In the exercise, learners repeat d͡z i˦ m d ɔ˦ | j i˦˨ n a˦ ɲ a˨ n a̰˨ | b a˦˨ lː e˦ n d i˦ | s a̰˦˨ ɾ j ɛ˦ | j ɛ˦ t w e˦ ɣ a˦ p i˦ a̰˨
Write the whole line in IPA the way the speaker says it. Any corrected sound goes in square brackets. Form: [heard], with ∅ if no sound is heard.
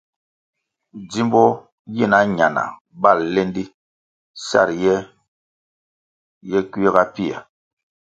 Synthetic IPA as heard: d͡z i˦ m [b] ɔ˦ | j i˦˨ n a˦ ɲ a˨ n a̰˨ | b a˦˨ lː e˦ n d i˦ | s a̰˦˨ ɾ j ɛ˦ | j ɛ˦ [k] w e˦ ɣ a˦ p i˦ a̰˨